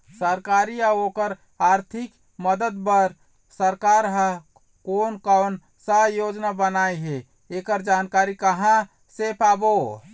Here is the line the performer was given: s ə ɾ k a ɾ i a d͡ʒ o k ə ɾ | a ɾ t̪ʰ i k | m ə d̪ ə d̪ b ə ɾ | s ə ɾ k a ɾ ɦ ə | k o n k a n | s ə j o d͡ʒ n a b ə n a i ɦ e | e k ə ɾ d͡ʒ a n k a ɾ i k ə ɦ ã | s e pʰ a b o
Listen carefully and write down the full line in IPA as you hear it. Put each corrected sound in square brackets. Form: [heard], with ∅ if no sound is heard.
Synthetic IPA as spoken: s ə ɾ k a ɾ i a [∅] o k ə ɾ | a ɾ t̪ʰ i k | m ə d̪ ə d̪ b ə ɾ | s ə ɾ k a ɾ ɦ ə | k o n k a n | s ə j o d͡ʒ n a b ə n a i ɦ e | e k ə ɾ d͡ʒ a n k a ɾ i k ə ɦ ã | s e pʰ a b o